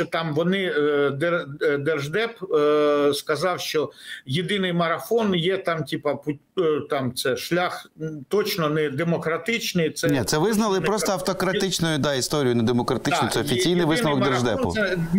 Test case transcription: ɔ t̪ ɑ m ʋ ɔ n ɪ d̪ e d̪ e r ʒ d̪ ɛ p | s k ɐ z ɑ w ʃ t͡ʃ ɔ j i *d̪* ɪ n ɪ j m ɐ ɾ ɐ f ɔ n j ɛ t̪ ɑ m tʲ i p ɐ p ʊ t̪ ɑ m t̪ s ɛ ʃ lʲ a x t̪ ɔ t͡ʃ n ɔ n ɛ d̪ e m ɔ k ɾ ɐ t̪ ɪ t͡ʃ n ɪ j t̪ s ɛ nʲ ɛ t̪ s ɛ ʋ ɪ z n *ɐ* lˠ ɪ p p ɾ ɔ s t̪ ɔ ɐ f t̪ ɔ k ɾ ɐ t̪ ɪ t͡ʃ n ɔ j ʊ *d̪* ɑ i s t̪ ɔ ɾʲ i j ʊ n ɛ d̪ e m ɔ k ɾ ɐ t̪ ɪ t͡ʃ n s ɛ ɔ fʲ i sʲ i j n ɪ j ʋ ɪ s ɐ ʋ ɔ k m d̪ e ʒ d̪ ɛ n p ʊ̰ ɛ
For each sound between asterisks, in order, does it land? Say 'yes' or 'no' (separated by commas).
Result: yes, yes, yes